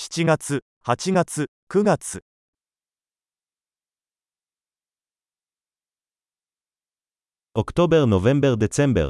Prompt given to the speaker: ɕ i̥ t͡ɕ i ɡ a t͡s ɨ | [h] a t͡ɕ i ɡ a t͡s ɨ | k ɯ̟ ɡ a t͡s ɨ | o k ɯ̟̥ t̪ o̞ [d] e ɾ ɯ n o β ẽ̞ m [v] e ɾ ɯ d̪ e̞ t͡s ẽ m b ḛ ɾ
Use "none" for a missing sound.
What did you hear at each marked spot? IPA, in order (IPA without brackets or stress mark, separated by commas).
h, b, b